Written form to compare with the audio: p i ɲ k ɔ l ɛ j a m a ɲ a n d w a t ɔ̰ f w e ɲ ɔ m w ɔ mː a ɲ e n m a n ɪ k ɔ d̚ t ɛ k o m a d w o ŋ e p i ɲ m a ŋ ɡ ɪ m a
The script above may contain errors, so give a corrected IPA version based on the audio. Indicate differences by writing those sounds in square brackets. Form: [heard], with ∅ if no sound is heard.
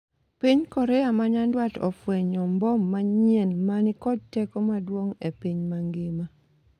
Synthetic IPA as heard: p i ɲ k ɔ [ɾ] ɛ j a m a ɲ a n d w a t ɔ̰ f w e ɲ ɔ m [b] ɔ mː a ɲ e n m a n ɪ k ɔ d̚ t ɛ k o m a d w o ŋ e p i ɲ m a ŋ ɡ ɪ m a